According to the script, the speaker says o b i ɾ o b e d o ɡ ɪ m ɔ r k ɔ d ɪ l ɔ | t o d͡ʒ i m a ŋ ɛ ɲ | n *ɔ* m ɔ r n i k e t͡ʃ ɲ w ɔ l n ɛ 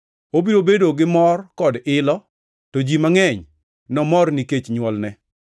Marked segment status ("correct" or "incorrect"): correct